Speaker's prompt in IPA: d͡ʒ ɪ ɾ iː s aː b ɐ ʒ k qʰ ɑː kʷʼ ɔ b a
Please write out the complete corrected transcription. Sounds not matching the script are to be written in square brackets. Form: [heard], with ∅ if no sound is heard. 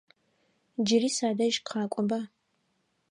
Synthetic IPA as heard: d͡ʒ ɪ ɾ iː s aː [d] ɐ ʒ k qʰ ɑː kʷʼ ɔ b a